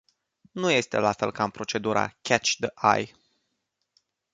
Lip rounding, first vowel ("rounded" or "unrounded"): rounded